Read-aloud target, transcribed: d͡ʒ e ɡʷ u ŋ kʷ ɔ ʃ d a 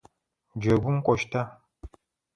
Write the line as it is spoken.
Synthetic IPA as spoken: d͡ʒ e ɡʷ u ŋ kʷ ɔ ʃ t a